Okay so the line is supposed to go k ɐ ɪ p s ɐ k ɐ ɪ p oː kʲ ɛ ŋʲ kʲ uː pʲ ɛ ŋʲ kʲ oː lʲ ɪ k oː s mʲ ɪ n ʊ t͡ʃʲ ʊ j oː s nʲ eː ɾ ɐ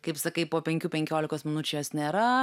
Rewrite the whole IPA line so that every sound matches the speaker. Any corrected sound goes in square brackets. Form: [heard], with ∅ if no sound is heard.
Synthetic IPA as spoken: k ɐ ɪ p s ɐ k ɐ ɪ p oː [pʲ] ɛ ŋʲ kʲ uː pʲ ɛ ŋʲ kʲ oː lʲ ɪ k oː s mʲ ɪ n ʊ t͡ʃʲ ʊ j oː s nʲ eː ɾ ɐ